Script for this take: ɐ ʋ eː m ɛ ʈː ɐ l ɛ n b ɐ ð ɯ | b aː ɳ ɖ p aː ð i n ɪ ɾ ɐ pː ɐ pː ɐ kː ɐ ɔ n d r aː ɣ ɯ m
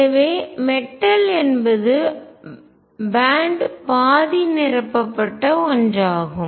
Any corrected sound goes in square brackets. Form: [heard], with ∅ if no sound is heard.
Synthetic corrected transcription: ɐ ʋ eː m ɛ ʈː ɐ l ɛ n b ɐ ð ɯ | b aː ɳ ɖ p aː ð i n ɪ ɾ ɐ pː ɐ pː ɐ [ʈː] ɐ ɔ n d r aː ɣ ɯ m